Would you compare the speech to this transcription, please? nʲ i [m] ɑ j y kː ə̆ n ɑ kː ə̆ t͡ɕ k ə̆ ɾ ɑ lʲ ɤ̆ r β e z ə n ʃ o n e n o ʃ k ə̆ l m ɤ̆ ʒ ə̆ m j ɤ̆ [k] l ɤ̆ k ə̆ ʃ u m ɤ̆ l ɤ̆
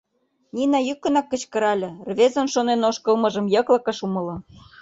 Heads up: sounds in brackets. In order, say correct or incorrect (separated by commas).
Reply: incorrect, correct